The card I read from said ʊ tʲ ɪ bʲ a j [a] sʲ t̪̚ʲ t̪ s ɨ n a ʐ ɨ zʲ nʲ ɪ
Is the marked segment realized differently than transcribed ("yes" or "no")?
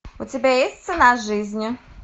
yes